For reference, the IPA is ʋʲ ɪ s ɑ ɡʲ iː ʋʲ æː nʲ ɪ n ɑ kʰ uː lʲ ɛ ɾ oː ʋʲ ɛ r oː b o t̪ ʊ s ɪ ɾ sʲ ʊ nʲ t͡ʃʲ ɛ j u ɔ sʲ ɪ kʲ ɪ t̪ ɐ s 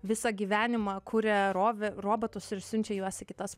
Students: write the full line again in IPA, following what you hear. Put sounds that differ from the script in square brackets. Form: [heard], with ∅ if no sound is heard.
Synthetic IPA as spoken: ʋʲ ɪ s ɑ ɡʲ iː ʋʲ æː nʲ ɪ [m] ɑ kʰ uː [ɾʲ] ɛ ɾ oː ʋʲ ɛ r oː b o t̪ ʊ s ɪ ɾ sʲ ʊ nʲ t͡ʃʲ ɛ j u ɔ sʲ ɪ kʲ ɪ t̪ ɐ s